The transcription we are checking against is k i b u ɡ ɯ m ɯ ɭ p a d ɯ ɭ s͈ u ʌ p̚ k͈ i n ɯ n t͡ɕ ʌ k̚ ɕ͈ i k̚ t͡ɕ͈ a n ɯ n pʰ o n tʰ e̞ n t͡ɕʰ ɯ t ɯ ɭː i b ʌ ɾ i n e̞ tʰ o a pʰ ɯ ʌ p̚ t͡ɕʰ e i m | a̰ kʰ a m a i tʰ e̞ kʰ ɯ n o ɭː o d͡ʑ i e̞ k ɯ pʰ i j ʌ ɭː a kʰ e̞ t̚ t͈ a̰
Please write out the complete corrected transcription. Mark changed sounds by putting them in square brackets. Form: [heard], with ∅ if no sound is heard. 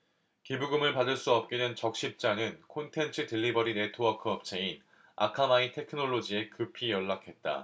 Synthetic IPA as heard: k i b u ɡ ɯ m ɯ ɭ p a d ɯ ɭ s͈ u ʌ p̚ k͈ i n ɯ n t͡ɕ ʌ k̚ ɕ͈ i [p̚] t͡ɕ͈ a n ɯ n [kʰ] o n tʰ e̞ n t͡ɕʰ ɯ t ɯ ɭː i b ʌ ɾ i n e̞ tʰ o a [kʰ] ɯ ʌ p̚ t͡ɕʰ e i [n] | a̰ kʰ a m a i tʰ e̞ kʰ ɯ n o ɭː o d͡ʑ i e̞ k ɯ pʰ i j ʌ ɭː a kʰ e̞ t̚ t͈ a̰